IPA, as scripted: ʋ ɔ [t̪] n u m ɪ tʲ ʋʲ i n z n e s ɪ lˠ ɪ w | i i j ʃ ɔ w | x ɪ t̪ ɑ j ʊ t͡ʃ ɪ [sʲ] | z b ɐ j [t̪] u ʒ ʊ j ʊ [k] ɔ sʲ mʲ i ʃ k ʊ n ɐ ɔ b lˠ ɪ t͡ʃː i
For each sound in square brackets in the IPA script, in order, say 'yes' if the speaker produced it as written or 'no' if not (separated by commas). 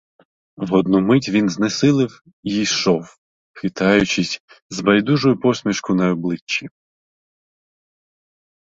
no, yes, no, no